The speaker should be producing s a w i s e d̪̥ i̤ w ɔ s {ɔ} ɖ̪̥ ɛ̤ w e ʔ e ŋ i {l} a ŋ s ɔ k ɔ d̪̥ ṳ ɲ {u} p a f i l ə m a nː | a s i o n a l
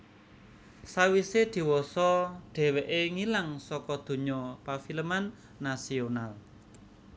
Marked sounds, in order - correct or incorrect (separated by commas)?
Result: correct, correct, incorrect